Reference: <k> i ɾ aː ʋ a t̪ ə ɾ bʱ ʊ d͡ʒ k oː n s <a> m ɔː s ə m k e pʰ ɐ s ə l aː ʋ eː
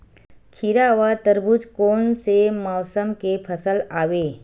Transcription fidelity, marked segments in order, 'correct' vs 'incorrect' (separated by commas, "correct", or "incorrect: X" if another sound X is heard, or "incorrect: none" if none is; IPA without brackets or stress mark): incorrect: kʰ, incorrect: e